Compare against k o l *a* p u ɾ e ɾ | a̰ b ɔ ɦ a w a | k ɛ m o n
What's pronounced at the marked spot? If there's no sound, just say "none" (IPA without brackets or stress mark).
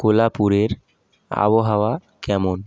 a